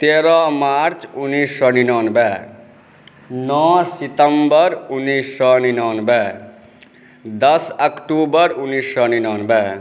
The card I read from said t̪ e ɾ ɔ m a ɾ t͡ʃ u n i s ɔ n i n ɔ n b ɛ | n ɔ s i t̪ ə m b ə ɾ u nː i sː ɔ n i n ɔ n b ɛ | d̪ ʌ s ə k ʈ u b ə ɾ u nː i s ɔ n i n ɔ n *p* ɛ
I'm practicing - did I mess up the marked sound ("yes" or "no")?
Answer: yes